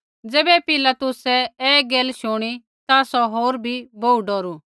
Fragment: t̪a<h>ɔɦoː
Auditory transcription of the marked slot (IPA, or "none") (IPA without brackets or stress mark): s